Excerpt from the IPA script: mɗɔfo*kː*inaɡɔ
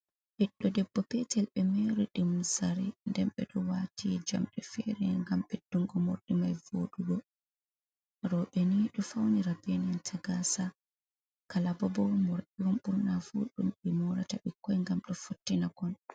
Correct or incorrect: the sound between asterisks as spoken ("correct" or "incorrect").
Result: incorrect